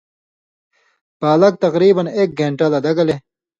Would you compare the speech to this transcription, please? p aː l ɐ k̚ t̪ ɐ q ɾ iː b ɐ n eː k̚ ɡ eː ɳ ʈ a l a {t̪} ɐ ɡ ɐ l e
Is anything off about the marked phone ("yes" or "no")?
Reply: yes